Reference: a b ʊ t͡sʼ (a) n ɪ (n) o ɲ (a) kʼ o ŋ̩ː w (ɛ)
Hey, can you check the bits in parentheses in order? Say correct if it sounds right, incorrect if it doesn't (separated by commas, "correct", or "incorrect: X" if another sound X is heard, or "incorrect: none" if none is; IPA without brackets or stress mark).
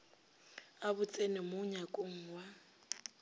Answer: incorrect: e, incorrect: m, correct, incorrect: a